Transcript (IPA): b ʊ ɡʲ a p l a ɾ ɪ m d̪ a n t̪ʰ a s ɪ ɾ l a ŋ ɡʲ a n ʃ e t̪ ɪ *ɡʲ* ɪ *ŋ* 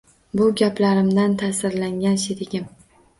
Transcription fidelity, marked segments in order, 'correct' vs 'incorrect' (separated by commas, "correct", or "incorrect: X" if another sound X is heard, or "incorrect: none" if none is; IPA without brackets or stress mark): correct, incorrect: m